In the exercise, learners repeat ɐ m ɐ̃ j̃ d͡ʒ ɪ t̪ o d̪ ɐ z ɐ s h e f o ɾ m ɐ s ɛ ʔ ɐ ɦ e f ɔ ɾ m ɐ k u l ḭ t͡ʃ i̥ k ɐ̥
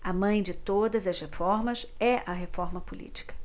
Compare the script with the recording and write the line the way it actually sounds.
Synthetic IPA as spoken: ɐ m ɐ̃ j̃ d͡ʒ ɪ t̪ o d̪ ɐ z ɐ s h e f ɔ ɾ m ɐ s ɛ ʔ ɐ ɦ e f ɔ ɾ m ɐ p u l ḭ t͡ʃ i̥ k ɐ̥

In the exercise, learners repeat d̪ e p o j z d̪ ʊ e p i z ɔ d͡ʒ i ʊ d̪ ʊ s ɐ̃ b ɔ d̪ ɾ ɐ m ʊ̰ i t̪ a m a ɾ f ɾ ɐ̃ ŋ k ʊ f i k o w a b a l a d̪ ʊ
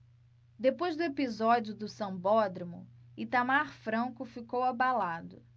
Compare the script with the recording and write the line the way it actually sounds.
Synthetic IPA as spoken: d̪ e p o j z d̪ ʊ e p i z ɔ d͡ʒ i ʊ d̪ ʊ s ɐ̃ b ɔ d̪ ɾ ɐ m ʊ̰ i t̪ a m a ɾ f ɾ ɐ̃ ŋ k ʊ f i k o w a b a l a d̪ ʊ

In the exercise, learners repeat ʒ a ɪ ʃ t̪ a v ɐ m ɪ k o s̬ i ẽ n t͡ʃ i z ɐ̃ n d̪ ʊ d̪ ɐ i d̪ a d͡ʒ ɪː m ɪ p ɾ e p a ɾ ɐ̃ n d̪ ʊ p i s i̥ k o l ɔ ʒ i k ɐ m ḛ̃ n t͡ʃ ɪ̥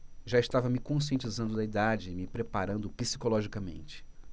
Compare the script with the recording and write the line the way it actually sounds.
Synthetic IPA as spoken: ʒ a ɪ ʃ t̪ a v ɐ m ɪ k õ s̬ i ẽ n t͡ʃ i z ɐ̃ n d̪ ʊ d̪ ɐ i d̪ a d͡ʒ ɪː m ɪ p ɾ e p a ɾ ɐ̃ n d̪ ʊ p i s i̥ k o l ɔ ʒ i k ɐ m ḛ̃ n t͡ʃ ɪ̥

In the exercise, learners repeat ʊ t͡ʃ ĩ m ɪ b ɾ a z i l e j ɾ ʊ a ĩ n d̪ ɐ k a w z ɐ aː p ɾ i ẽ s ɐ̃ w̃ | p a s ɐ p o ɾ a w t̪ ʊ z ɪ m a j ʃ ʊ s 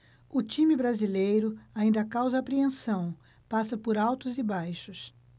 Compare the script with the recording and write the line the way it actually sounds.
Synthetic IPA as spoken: ʊ t͡ʃ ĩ m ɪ b ɾ a z i l e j ɾ ʊ a ĩ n d̪ ɐ k a w z ɐ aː p ɾ i ẽ s ɐ̃ w̃ | p a s ɐ p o ɾ a w t̪ ʊ z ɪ b a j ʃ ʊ s

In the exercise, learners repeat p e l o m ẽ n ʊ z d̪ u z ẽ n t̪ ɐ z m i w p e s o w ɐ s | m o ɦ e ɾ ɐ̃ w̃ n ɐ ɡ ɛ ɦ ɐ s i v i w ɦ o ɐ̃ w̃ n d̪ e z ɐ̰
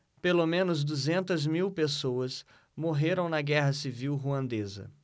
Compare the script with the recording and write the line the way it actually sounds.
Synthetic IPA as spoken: p e l o m ẽ n ʊ z d̪ u z ẽ n t̪ ɐ z m i w p e s o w ɐ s | m o ɦ e ɾ ɐ̃ w̃ n ɐ ɡ ɛ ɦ ɐ s i v i w ɦ u ɐ̃ n d̪ e z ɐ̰

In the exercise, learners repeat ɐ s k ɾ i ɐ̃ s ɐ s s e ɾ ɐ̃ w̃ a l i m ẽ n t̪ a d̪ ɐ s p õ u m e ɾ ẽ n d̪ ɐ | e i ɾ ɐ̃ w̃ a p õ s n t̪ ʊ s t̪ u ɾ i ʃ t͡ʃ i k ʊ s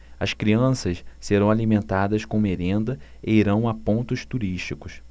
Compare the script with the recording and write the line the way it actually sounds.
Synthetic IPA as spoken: ɐ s k ɾ i ɐ̃ s ɐ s s e ɾ ɐ̃ w̃ a l i m ẽ n t̪ a d̪ ɐ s k õ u m e ɾ ẽ n d̪ ɐ | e i ɾ ɐ̃ w̃ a p õ n t̪ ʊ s t̪ u ɾ i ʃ t͡ʃ i k ʊ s

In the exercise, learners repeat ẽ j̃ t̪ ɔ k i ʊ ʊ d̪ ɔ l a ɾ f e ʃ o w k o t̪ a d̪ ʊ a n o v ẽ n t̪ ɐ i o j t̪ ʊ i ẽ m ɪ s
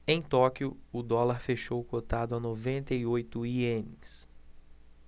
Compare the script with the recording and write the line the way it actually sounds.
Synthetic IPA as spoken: ẽ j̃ t̪ ɔ k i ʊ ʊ d̪ ɔ l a ɾ f e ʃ o w k o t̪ a d̪ ʊ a n o v ẽ n t̪ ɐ i o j t̪ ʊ i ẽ n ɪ s

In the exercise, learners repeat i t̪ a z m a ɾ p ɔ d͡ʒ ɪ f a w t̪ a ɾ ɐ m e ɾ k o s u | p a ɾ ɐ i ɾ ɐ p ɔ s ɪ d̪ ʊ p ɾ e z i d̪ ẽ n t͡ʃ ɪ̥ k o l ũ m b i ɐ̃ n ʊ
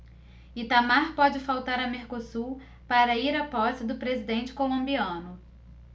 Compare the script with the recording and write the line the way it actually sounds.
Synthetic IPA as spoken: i t̪ a m a ɾ p ɔ d͡ʒ ɪ f a w t̪ a ɾ ɐ m e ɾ k o s u | p a ɾ ɐ i ɾ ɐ p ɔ s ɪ d̪ ʊ p ɾ e z i d̪ ẽ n t͡ʃ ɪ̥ k o l õ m b i ɐ̃ n ʊ

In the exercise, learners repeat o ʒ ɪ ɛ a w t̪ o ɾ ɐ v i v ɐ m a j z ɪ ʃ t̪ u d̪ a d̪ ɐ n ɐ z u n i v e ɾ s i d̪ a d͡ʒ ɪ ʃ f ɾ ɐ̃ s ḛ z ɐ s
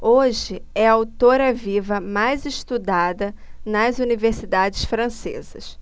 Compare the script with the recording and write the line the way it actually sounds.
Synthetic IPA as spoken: o ʒ ɪ ɛ a w t̪ o ɾ ɐ v i v ɐ m a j z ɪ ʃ t̪ u d̪ a d̪ ɐ n ɐ z u n i v e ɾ s i d̪ a d͡ʒ ɪ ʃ f ɾ ɐ̃ s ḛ z ɐ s

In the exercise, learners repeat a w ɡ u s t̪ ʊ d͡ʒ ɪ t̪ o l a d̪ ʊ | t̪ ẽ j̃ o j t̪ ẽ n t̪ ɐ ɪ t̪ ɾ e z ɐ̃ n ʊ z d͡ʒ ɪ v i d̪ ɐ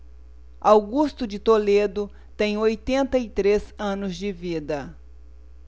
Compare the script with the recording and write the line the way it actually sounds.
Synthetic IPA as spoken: a w ɡ u s t̪ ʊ d͡ʒ ɪ t̪ o l e d̪ ʊ | t̪ ẽ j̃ o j t̪ ẽ n t̪ ɐ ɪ t̪ ɾ e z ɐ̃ n ʊ z d͡ʒ ɪ v i d̪ ɐ

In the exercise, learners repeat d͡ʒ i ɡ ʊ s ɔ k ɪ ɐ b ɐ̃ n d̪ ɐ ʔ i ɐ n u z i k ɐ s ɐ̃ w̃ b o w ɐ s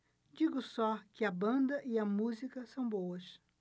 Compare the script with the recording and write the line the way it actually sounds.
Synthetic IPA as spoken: d͡ʒ i ɡ ʊ s ɔ k ɪ ɐ b ɐ̃ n d̪ ɐ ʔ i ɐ m u z i k ɐ s ɐ̃ w̃ b o w ɐ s

